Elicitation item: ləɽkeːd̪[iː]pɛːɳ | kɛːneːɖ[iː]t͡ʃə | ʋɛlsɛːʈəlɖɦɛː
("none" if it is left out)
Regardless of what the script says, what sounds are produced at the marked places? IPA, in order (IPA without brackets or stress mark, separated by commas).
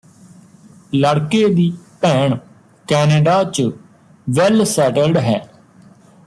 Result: iː, aː